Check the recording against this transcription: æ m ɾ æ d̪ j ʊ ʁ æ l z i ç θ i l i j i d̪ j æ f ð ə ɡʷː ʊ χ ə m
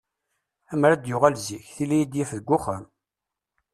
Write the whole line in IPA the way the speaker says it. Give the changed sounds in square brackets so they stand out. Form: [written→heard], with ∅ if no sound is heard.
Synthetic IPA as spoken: æ m ɾ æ d̪ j ʊ ʁ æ l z i ç θ i l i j i d̪ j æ f ð ə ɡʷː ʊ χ ə m